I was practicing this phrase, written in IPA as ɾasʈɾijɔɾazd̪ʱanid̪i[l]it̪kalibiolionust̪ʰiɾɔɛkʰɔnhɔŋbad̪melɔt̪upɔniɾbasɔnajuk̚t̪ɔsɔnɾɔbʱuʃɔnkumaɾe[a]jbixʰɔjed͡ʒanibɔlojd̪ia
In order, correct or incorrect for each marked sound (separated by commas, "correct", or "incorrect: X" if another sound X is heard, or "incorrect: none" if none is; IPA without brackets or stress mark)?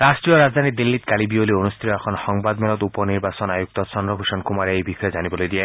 incorrect: lː, incorrect: e